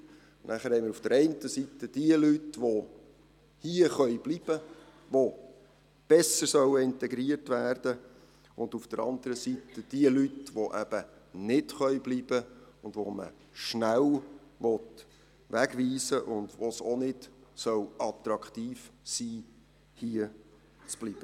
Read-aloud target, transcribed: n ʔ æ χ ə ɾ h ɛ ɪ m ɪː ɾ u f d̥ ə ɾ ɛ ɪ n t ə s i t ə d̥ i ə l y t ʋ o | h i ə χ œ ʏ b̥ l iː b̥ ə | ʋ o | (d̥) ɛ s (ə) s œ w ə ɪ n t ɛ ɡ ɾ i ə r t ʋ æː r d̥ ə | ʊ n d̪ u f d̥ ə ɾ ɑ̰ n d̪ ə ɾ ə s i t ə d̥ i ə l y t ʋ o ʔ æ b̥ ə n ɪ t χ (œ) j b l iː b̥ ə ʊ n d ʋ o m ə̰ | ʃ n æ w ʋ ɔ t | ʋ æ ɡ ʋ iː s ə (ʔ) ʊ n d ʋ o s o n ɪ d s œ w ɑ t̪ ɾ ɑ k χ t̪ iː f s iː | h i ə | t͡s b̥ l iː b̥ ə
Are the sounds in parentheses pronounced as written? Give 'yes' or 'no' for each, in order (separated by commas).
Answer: no, yes, yes, yes